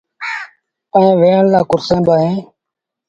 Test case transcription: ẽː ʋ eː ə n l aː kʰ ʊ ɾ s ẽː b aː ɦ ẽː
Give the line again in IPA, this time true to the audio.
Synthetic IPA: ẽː ʋ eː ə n l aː k ʊ ɾ s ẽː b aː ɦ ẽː

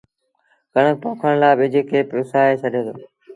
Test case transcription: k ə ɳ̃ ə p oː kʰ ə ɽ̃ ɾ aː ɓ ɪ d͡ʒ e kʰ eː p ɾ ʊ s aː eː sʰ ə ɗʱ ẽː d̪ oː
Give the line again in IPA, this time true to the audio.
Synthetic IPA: k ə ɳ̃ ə p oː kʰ ə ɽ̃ l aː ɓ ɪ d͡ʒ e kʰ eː p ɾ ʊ s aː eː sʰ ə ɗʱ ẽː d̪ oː

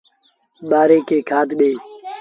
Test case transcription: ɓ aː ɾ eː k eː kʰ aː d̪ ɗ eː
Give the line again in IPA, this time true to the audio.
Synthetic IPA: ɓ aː ɾ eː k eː kʰ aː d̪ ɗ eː

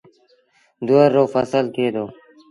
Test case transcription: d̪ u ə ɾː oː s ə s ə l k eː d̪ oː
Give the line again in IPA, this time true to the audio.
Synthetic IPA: d̪ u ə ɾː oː f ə s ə l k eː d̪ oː

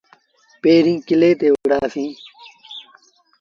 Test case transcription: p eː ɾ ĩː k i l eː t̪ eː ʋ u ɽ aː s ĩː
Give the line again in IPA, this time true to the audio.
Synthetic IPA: p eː ɾ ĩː k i l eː t̪ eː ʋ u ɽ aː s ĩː

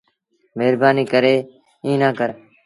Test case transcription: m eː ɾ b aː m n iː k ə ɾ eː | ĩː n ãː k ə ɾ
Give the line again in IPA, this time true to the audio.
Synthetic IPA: m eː ɾ b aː n iː k ə ɾ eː | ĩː n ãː k ə ɾ

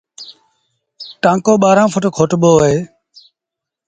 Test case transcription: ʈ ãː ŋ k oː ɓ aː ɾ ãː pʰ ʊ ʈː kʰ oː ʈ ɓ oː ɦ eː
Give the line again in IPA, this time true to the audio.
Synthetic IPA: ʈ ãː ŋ k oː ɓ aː ɾ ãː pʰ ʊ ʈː kʰ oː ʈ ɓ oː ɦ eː

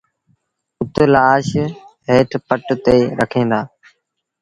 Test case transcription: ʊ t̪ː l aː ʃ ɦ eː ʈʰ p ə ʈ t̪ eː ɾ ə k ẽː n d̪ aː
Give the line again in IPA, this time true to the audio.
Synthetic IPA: ʊ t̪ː l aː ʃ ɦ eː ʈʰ p ə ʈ t̪ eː ɾ ə kʰ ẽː n d̪ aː

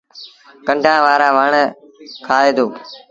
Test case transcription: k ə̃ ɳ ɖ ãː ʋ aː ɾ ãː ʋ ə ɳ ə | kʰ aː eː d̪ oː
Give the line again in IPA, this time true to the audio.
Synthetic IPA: k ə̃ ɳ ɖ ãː ʋ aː ɾ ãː ʋ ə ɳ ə | kʰ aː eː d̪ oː

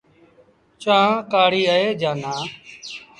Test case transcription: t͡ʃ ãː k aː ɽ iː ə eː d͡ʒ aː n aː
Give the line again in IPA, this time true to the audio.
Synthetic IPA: t͡ʃ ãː k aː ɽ iː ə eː d͡ʒ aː n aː

